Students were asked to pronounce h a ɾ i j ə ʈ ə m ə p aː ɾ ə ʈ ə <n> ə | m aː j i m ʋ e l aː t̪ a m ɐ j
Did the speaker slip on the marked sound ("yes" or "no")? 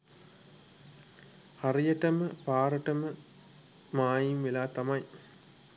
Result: yes